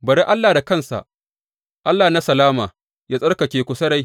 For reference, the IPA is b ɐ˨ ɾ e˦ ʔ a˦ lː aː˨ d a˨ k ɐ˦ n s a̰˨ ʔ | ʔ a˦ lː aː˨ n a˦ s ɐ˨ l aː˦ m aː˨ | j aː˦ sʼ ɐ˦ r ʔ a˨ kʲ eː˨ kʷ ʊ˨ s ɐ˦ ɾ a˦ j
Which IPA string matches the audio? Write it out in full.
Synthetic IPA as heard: b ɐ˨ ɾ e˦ ʔ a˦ lː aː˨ d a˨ k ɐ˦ n s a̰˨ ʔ | ʔ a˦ lː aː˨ n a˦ s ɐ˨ l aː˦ m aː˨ | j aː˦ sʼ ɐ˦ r k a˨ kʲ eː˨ kʷ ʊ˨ s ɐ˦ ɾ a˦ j